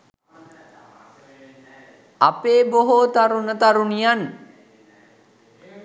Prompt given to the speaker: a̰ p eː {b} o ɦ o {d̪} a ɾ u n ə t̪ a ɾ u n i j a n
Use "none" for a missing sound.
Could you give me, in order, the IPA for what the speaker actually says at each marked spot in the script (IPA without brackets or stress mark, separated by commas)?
b, t̪